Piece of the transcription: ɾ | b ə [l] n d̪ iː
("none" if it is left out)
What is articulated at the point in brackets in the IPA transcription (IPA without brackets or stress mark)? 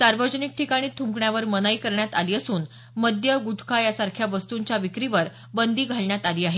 none